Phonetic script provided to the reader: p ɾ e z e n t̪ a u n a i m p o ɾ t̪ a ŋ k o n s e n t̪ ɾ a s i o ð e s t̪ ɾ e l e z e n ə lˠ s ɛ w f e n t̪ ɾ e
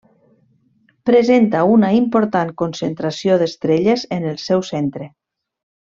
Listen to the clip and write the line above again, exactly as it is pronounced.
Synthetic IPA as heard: p ɾ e z e n t̪ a u n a i m p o ɾ t̪ a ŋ k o n s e n t̪ ɾ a s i o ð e s t̪ ɾ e ʎ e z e n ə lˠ s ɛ w s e n t̪ ɾ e